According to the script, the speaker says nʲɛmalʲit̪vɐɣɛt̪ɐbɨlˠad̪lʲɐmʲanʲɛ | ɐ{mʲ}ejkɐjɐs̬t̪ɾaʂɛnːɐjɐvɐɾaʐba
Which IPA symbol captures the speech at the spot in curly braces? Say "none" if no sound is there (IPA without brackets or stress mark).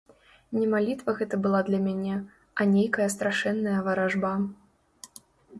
nʲ